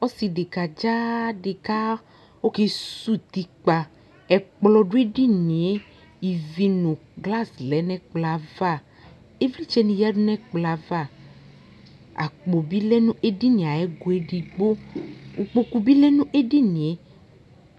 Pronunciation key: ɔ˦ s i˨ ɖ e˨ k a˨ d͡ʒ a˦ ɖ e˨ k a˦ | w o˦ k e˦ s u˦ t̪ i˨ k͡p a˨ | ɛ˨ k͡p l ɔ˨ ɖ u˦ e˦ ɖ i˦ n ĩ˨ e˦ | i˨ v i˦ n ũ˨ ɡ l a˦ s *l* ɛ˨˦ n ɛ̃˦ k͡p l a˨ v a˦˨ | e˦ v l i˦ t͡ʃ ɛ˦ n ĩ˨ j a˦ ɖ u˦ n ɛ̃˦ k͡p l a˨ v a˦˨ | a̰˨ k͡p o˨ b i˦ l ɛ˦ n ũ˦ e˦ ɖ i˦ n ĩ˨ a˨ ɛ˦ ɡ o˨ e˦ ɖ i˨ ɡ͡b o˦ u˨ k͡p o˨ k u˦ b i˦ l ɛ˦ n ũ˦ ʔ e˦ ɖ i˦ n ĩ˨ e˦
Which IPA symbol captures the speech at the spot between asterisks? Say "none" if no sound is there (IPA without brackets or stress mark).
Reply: l